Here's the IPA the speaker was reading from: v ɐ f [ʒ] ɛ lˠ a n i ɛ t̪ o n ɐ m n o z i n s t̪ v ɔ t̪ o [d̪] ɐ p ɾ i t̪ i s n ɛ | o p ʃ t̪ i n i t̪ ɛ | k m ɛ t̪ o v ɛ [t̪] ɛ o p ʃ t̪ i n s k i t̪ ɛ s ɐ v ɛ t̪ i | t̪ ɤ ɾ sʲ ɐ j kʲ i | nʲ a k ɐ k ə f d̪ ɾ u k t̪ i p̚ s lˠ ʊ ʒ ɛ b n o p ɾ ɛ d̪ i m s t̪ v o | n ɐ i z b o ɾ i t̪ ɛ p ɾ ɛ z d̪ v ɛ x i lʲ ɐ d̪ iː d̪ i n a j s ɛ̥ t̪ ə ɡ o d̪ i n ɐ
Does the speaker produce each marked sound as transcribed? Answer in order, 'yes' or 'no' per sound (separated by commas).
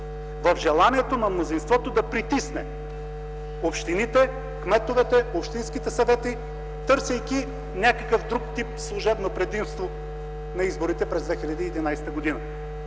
yes, yes, yes